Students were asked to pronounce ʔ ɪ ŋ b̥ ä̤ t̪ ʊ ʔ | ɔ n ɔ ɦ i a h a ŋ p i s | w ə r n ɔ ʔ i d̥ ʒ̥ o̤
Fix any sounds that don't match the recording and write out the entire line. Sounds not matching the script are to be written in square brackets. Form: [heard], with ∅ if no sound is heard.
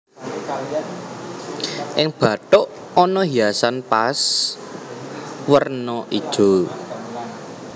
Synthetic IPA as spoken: ʔ ɪ ŋ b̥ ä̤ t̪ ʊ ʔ | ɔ n ɔ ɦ i a [s] a [n] p [a] s | w ə r n ɔ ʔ i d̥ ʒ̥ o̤